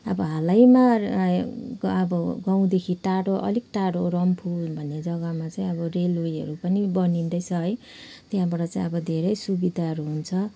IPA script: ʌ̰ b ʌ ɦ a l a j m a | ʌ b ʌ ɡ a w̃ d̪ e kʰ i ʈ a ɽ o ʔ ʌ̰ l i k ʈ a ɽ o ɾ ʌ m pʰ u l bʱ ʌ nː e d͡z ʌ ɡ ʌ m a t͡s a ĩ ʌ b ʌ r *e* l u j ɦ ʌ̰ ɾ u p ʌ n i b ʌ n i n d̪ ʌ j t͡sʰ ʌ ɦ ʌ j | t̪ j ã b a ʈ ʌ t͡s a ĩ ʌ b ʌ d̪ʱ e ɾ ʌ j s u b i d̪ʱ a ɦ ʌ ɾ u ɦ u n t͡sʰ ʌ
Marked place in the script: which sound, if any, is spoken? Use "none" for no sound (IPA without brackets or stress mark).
e